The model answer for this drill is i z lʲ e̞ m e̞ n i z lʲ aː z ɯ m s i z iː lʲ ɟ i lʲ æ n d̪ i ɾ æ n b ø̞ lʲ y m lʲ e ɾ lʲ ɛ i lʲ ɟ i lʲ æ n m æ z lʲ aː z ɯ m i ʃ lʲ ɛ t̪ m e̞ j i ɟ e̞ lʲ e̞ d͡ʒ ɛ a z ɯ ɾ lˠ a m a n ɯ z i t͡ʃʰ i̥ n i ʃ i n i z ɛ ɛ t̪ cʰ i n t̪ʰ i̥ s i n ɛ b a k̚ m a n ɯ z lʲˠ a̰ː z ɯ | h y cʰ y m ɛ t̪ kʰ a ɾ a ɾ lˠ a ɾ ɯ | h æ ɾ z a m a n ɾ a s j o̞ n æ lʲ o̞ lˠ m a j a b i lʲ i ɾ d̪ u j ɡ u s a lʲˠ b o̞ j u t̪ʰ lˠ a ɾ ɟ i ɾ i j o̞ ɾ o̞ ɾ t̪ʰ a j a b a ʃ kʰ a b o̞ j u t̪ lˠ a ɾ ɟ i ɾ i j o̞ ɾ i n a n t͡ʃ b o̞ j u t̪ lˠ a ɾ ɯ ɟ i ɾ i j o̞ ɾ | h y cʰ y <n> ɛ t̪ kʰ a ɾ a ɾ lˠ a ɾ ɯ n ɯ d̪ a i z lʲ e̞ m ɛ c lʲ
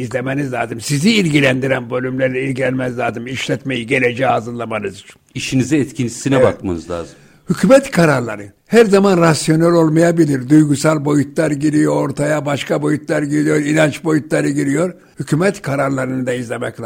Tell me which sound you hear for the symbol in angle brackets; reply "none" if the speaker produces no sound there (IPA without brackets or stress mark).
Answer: m